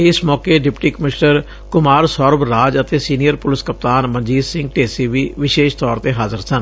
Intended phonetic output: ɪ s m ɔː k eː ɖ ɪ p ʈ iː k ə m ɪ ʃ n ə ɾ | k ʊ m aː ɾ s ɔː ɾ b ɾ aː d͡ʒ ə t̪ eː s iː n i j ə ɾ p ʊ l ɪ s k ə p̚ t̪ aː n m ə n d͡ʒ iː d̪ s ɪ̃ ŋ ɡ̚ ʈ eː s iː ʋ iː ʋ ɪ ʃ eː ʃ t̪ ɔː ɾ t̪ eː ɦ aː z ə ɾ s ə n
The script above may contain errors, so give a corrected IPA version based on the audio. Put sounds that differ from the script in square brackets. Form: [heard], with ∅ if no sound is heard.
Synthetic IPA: ɪ s m ɔː k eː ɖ ɪ p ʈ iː k ə m ɪ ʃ n ə ɾ | k ʊ m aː ɾ s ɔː ɾ b ɾ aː d͡ʒ ə t̪ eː s iː n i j ə ɾ p ʊ l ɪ s k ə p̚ t̪ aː n m ə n d͡ʒ iː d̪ s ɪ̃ ŋ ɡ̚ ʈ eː s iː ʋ iː ʋ ɪ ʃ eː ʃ t̪ ɔː ɾ t̪ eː ɦ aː z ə ɾ s ə n